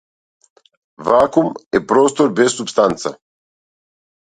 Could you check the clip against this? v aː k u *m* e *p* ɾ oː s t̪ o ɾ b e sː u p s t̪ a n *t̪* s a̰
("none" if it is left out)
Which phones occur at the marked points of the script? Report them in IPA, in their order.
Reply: m, p, t̪

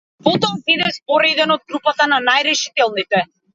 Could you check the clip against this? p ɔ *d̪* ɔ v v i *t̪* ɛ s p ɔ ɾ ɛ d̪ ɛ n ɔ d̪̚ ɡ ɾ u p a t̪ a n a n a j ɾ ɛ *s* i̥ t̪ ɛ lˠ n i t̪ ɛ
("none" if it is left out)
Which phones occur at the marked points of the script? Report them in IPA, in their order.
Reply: t̪, d̪, ʃ

